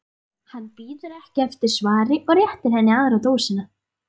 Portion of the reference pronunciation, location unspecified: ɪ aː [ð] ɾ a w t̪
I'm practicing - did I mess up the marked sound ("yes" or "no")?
no